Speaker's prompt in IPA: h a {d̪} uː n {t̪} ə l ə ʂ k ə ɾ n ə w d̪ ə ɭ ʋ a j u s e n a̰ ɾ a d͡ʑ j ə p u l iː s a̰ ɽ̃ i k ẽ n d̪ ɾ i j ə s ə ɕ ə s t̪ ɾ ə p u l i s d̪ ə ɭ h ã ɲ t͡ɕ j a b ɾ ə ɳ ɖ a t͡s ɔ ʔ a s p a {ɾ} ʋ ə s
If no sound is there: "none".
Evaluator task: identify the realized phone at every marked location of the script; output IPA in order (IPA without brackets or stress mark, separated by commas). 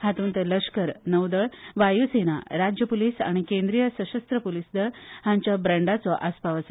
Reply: t̪, t̪, none